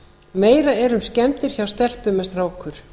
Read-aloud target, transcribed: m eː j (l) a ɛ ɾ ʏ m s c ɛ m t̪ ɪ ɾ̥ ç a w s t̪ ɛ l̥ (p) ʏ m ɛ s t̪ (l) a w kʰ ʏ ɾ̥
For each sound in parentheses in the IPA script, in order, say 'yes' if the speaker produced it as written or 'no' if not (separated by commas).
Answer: no, yes, no